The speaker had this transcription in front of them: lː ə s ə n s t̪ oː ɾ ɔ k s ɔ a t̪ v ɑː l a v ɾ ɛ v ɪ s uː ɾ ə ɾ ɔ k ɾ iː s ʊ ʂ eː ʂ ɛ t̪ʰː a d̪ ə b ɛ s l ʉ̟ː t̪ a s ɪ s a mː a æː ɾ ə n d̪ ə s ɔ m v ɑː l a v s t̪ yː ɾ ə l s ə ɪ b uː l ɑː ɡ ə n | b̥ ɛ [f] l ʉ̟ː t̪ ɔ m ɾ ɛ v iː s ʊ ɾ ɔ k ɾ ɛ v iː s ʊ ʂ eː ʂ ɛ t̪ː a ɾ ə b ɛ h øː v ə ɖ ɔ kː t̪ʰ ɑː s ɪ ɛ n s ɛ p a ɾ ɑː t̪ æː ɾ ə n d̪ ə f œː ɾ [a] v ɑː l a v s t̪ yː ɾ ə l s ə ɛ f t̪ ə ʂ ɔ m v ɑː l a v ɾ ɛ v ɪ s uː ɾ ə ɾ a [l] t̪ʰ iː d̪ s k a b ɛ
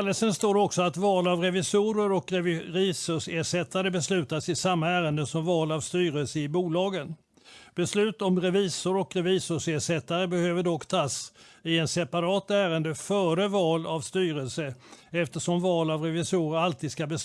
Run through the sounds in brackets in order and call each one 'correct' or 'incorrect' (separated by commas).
incorrect, incorrect, correct